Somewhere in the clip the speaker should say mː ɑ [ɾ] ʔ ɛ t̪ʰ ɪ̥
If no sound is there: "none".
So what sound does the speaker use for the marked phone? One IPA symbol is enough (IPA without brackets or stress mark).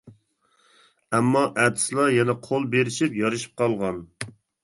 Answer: none